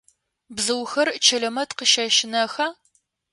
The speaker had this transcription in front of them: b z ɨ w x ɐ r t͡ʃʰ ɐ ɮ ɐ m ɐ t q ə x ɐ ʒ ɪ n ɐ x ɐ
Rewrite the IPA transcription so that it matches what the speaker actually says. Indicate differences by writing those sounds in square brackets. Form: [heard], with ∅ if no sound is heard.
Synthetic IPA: b z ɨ w x ɐ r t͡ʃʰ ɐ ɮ ɐ m ɐ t q ə [ʃ] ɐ [ʃ] ɪ n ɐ x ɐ